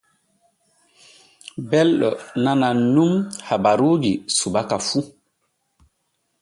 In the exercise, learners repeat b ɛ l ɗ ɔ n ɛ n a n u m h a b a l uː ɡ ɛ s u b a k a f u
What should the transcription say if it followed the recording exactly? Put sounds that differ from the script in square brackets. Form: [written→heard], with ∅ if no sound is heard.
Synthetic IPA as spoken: b ɛ l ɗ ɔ n [ɛ→a] n a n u m h a b a [l→ɾ] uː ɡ [ɛ→i] s u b a k a f u

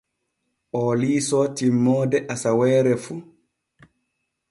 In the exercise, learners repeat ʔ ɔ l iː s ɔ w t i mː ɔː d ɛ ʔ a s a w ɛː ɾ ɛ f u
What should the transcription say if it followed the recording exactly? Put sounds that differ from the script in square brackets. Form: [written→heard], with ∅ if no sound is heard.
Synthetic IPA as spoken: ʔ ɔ l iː s ɔ [w→∅] t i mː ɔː d ɛ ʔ a s a w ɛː ɾ ɛ f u

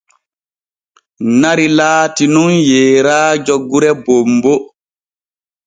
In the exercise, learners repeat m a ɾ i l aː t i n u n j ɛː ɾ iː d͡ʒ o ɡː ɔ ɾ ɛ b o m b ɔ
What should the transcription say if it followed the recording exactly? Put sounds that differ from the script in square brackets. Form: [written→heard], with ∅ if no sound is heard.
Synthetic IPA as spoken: [m→n] a ɾ i l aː t i n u n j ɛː ɾ [iː→aː] d͡ʒ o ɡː [ɔ→u] ɾ ɛ b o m b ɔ

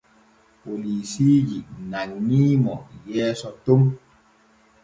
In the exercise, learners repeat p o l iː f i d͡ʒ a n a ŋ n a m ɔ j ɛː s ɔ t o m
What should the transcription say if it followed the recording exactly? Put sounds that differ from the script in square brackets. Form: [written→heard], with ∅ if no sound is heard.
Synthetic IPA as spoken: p o l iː [f→s] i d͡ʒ [a→i] n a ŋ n [a→i] m ɔ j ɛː s ɔ t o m

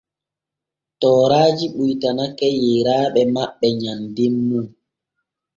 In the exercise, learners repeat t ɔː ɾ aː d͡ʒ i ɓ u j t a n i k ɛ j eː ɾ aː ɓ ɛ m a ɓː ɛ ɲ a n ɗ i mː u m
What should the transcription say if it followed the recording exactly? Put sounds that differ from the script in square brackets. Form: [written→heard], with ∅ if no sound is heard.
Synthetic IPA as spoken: t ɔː ɾ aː d͡ʒ i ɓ u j t a n [i→a] k ɛ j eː ɾ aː ɓ ɛ m a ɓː ɛ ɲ a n [ɗ→d] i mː u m

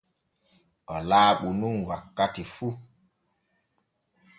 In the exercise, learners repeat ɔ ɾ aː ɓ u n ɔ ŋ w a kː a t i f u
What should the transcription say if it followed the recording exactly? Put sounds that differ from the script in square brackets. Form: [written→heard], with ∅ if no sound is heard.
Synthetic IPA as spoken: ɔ [ɾ→l] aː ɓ u n [ɔ→u] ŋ w a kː a t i f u

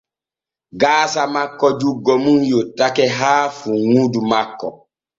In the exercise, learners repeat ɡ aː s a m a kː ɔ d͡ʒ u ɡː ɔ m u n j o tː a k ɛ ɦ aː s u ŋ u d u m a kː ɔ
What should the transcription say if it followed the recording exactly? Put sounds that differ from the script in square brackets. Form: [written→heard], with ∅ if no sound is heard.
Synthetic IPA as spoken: ɡ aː s a m a kː ɔ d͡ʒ u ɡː ɔ m u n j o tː a k ɛ ɦ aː [s→f] u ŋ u d u m a kː ɔ

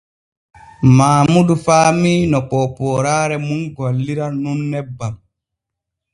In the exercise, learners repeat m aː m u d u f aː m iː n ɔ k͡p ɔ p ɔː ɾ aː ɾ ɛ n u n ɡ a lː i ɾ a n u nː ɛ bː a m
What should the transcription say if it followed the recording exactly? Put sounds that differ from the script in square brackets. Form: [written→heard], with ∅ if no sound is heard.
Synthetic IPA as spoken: m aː m u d u f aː m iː n ɔ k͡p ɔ p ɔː ɾ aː ɾ ɛ [n→m] u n ɡ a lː i ɾ a n u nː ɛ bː a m

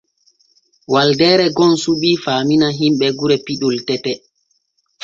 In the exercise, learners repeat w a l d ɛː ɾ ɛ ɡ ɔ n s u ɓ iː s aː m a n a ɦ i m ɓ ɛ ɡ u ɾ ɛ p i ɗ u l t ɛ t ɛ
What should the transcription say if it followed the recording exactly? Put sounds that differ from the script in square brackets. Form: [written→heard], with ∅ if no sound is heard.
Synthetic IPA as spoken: w a l d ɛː ɾ ɛ ɡ ɔ n s u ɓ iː [s→f] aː m [a→i] n a ɦ i m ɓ ɛ ɡ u ɾ ɛ p i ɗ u l t ɛ t ɛ

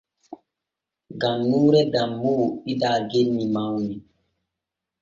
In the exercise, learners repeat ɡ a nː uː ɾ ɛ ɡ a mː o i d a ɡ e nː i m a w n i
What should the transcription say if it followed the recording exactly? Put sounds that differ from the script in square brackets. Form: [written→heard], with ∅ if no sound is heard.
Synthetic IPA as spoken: ɡ a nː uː ɾ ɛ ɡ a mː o i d a ɡ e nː i m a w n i

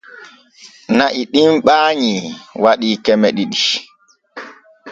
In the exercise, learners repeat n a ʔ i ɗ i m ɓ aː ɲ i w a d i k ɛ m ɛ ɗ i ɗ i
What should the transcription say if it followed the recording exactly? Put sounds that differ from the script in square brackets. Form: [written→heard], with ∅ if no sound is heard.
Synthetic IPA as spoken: n a ʔ i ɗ i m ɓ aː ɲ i w a [d→ɗ] i k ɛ m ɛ ɗ i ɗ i

